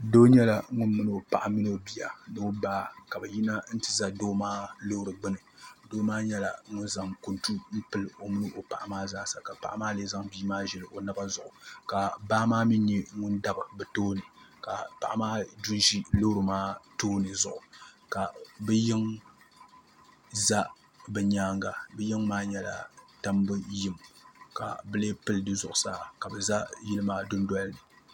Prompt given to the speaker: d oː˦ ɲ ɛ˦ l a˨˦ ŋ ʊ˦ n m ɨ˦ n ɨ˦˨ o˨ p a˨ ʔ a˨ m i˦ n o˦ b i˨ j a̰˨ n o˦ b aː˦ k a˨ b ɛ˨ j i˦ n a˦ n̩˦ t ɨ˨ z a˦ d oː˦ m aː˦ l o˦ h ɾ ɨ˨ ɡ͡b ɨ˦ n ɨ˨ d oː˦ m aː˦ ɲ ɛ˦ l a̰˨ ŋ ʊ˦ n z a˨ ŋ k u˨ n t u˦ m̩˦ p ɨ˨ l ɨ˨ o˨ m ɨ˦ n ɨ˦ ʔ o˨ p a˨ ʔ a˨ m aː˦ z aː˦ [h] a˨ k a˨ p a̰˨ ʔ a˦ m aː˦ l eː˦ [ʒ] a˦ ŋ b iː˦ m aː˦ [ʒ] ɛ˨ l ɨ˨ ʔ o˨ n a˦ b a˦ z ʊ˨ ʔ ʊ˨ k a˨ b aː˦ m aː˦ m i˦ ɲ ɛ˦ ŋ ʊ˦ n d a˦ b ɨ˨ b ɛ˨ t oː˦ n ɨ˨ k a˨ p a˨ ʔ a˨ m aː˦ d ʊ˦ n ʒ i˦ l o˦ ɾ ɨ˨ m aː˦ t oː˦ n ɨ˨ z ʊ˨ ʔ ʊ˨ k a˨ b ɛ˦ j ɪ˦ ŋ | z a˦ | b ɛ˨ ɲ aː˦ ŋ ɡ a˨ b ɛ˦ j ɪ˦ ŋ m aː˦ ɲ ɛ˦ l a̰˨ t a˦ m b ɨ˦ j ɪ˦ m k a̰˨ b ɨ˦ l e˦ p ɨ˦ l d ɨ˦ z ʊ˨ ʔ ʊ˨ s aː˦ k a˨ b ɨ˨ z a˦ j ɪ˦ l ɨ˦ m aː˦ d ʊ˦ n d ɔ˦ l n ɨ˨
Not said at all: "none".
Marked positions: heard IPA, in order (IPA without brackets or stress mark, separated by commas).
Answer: s, z, ʒ